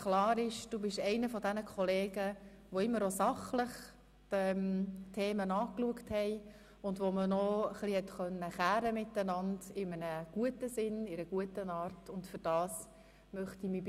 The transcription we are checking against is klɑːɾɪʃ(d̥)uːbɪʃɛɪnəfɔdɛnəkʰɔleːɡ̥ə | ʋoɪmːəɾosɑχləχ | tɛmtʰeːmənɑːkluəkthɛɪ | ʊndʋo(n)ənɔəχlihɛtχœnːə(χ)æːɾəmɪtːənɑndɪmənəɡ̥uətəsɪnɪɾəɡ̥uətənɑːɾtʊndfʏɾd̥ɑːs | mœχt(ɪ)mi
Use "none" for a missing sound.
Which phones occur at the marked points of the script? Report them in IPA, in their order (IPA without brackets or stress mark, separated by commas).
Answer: d̥, m, χ, i